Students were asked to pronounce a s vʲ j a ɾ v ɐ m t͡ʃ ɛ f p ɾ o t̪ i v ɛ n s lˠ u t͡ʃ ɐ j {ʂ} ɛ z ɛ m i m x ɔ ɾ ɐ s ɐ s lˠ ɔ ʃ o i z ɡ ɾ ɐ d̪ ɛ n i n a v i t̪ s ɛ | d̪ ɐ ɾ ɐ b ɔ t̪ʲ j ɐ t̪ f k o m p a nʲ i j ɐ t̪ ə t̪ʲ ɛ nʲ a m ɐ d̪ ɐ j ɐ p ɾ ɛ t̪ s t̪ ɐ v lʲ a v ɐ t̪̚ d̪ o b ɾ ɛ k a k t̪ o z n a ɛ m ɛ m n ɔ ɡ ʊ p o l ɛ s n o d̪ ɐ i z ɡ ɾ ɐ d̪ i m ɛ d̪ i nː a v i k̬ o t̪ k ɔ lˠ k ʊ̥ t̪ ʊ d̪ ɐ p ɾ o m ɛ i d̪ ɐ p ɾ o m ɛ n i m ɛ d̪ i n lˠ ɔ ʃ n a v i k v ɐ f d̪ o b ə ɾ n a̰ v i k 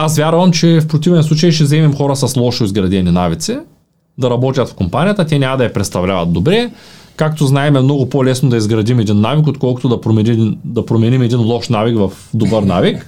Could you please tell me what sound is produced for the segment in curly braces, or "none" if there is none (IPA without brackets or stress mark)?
ʃ